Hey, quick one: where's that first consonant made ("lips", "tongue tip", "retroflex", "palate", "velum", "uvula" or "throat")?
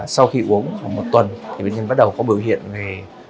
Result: tongue tip